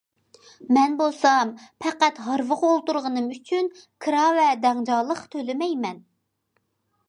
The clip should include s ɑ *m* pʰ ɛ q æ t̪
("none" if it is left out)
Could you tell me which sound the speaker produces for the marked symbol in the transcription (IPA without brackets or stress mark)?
m